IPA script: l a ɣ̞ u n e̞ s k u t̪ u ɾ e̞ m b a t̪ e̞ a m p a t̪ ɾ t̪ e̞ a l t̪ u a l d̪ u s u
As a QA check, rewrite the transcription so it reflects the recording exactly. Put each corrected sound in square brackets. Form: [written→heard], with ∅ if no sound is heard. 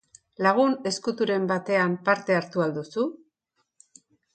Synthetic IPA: l a ɣ̞ u n e̞ s k u t̪ u ɾ e̞ m b a t̪ e̞ a m p a [t̪→∅] ɾ t̪ e̞ a [l→ɾ] t̪ u a l d̪ u s u